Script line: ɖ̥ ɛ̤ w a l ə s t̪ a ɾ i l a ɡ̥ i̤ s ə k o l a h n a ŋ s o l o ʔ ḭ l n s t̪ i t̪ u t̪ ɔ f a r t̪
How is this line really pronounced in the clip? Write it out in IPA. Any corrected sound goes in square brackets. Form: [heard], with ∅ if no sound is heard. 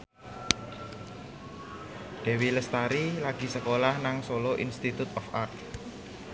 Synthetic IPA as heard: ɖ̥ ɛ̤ w [i] l ə s t̪ a ɾ i l a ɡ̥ i̤ s ə k o l a h n a ŋ s o l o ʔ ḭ [∅] n s t̪ i t̪ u t̪ ɔ f a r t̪